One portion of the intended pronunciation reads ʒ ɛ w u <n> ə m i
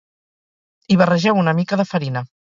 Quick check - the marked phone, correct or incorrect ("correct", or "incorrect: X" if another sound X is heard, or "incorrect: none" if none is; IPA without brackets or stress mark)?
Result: correct